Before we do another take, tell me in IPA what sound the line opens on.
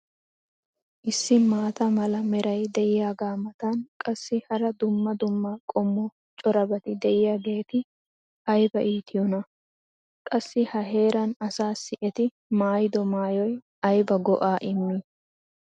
ʔ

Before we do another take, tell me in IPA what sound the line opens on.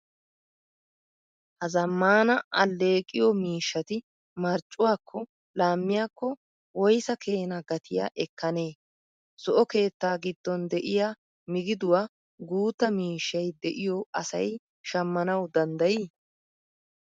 h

